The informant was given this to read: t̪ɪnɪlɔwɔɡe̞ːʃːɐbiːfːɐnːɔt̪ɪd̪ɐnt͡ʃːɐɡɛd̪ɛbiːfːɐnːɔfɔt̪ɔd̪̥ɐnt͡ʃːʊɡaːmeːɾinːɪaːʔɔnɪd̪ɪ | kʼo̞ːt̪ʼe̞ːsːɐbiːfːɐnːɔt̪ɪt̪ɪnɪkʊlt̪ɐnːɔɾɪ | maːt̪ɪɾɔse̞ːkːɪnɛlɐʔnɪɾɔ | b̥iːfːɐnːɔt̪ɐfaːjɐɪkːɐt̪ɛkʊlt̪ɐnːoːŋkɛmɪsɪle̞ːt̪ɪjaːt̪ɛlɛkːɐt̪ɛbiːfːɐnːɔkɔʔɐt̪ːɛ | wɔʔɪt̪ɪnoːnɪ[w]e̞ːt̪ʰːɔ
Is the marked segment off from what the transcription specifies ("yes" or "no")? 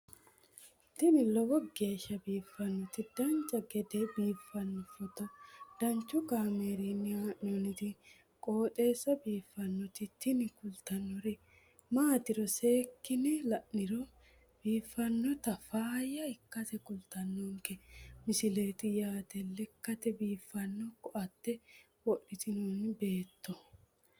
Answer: yes